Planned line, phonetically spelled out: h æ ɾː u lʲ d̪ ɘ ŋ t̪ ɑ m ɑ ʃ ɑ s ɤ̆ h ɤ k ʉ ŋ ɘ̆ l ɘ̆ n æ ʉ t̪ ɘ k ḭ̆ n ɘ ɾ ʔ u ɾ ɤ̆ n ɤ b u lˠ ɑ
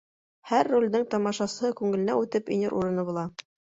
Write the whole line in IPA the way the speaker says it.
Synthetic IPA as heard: h æ ɾː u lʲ d̪ ɘ ŋ t̪ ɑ m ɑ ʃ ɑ s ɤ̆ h ɤ k ʉ ŋ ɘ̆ l ɘ̆ n æ ʉ t̪ ɘ p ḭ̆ n ɘ ɾ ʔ u ɾ ɤ̆ n ɤ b u lˠ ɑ